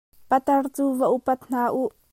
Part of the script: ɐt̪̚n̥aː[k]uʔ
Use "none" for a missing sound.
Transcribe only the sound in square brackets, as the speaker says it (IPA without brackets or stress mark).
ʔ